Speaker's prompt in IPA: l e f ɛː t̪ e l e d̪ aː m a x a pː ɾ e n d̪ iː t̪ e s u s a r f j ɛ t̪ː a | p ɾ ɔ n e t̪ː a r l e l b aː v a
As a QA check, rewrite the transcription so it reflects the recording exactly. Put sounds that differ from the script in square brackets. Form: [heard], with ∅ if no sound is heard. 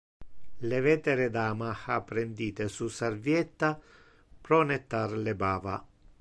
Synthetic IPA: l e [v] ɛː t̪ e [ɾ] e d̪ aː m a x a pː ɾ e n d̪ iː t̪ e s u s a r [v] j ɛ t̪ː a | p ɾ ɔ n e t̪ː a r l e [∅] b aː v a

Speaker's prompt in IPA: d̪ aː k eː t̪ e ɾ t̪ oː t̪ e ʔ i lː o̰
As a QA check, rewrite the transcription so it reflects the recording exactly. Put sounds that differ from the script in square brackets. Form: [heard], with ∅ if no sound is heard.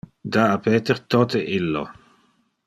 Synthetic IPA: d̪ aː [p] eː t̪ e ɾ t̪ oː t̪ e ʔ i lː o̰

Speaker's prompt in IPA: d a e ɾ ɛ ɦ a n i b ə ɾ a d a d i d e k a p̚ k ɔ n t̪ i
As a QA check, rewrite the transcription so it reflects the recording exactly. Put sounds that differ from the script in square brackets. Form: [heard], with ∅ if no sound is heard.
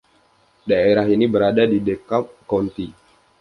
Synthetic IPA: d a e ɾ [a] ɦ [i] n i b ə ɾ a d a d i d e k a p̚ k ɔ n t̪ i

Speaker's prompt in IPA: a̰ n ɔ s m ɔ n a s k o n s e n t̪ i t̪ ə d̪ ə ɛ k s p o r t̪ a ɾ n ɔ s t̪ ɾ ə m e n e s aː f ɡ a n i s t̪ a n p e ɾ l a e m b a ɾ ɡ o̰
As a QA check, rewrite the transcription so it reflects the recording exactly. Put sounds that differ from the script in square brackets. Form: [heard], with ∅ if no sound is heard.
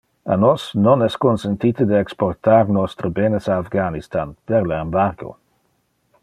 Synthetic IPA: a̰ n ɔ s [n] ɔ n [ɛ] s k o n s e n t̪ i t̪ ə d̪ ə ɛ k s p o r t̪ a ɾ n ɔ s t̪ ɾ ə [b] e n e s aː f ɡ a n i s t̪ a n p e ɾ l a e m b a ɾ ɡ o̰

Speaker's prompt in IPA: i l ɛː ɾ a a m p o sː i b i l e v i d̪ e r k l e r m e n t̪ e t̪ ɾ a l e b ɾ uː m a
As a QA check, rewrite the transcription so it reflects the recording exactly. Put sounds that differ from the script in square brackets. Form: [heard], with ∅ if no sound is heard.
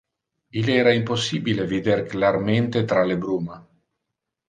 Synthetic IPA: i l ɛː ɾ a [i] m p o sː i b i l e v i d̪ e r k l [a] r m e n t̪ e t̪ ɾ a l e b ɾ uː m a

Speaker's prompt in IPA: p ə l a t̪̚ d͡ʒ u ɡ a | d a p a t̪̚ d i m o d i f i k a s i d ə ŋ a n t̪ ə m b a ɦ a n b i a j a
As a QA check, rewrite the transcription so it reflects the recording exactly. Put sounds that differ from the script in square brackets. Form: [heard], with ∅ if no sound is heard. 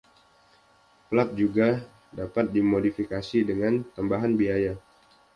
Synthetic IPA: p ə l a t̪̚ d͡ʒ u ɡ a | d a p a t̪̚ d i m o d i f i k a s i d ə ŋ a n t̪ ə m b a ɦ a n b i a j a

